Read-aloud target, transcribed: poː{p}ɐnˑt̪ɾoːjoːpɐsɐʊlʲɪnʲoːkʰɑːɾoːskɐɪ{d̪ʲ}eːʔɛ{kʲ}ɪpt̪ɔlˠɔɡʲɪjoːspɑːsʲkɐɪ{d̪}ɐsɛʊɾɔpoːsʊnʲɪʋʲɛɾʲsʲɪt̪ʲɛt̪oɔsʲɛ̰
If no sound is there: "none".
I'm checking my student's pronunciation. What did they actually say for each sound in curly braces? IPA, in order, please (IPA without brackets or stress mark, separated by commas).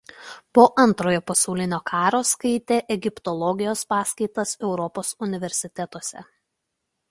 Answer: ʔ, t̪ʲ, ɡʲ, t̪